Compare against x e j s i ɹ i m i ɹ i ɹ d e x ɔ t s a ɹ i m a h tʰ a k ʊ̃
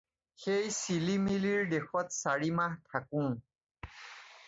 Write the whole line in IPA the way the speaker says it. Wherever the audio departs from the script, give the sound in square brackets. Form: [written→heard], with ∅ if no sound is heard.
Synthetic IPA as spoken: x e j s i [ɹ→l] i m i [ɹ→l] i ɹ d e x ɔ t s a ɹ i m a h tʰ a k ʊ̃